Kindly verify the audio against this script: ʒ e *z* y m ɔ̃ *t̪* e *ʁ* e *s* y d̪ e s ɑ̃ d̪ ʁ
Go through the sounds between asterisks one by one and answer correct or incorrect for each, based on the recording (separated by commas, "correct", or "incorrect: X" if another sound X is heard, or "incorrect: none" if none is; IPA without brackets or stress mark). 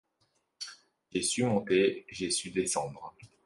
incorrect: s, correct, incorrect: ʒ, correct